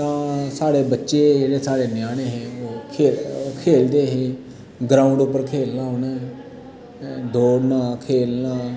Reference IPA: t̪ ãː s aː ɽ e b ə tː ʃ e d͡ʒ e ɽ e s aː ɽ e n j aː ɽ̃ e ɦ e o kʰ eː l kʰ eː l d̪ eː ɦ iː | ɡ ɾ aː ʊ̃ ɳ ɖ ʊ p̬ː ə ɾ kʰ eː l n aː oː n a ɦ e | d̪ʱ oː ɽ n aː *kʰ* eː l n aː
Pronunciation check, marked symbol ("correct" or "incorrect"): correct